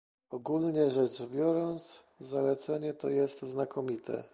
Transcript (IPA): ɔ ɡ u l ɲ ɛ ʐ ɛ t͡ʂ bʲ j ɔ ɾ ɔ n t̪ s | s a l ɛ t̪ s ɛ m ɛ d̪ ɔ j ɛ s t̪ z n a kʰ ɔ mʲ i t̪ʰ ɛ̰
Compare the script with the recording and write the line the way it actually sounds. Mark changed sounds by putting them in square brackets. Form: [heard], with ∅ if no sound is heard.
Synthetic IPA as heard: ɔ ɡ u l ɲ ɛ ʐ ɛ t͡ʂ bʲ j ɔ ɾ ɔ n t̪ s | [z] a l ɛ t̪ s ɛ [ɲ] ɛ [t̪] ɔ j ɛ s t̪ z n a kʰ ɔ mʲ i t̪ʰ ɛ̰